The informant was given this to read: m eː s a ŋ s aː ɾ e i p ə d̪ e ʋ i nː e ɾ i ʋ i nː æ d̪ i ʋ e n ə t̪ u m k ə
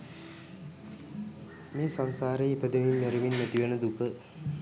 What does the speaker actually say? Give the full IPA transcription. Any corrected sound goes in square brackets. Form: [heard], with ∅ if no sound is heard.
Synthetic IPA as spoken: m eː s a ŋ s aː ɾ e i p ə d̪ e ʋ i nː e ɾ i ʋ i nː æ [t̪] i ʋ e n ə [d̪] u [∅] k ə